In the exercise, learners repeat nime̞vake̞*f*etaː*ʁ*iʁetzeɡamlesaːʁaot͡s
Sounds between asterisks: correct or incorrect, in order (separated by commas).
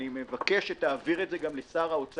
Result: incorrect, incorrect